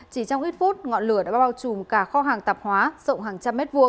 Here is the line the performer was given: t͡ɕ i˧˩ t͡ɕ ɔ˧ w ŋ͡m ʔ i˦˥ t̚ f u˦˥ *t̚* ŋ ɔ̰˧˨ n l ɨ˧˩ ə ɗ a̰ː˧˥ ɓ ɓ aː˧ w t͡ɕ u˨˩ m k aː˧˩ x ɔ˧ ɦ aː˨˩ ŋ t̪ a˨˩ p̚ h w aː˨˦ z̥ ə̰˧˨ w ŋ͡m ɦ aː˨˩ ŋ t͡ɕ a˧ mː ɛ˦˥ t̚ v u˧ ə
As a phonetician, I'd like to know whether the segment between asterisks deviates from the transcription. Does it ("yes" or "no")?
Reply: no